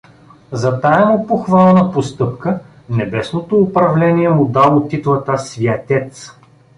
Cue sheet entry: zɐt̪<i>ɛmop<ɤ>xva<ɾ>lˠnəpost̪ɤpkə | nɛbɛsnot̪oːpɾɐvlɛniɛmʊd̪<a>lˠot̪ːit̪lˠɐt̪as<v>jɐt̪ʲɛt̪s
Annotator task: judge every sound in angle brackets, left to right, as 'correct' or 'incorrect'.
incorrect, incorrect, incorrect, correct, correct

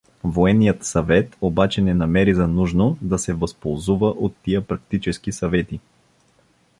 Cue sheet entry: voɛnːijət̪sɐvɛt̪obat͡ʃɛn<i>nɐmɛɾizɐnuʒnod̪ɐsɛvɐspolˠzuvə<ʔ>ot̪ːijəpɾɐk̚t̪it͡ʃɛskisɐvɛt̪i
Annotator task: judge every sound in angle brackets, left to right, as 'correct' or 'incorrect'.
incorrect, correct

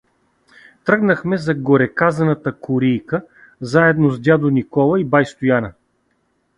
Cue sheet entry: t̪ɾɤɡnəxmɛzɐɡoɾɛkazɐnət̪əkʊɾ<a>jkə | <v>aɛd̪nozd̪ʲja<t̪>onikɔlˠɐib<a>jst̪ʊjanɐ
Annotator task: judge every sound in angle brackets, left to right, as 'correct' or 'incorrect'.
incorrect, incorrect, incorrect, correct

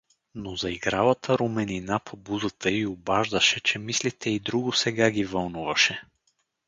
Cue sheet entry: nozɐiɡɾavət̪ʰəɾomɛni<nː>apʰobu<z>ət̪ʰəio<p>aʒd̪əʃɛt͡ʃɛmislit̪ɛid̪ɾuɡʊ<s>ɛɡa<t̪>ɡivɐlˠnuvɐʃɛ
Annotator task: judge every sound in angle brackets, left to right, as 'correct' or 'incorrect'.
incorrect, correct, incorrect, correct, incorrect

